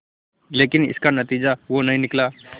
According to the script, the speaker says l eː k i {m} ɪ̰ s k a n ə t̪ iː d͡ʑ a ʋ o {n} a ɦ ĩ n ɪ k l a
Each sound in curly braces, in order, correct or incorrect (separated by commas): incorrect, correct